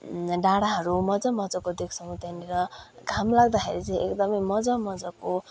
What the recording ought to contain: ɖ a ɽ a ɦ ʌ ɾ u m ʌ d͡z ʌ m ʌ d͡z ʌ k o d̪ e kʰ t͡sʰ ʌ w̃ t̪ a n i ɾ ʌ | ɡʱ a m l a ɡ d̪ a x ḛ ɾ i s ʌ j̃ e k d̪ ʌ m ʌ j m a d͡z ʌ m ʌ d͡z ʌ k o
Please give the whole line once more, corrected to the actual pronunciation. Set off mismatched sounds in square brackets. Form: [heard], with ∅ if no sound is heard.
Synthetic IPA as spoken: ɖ a ɽ a ɦ ʌ ɾ u m ʌ d͡z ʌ m ʌ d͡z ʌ k o d̪ e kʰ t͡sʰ ʌ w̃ t̪ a n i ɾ ʌ | ɡʱ a m l a ɡ d̪ a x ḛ ɾ i [t͡s] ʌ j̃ e k d̪ ʌ m ʌ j m [ʌ] d͡z ʌ m ʌ d͡z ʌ k o